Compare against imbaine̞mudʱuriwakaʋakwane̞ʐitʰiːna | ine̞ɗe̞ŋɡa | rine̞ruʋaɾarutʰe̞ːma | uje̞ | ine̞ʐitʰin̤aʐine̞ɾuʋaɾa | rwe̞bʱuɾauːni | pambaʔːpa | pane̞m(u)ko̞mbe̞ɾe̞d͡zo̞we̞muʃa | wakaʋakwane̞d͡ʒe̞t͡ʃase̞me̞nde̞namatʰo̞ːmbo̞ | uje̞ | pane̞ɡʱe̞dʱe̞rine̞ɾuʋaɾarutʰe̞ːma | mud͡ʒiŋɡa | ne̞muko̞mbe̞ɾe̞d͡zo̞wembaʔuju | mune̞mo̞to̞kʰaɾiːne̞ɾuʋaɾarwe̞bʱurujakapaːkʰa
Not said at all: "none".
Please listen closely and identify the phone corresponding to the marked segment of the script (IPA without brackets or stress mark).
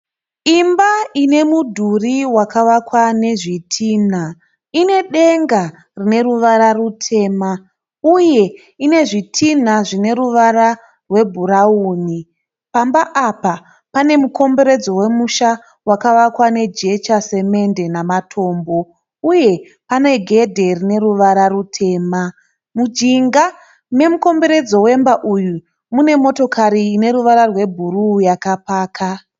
u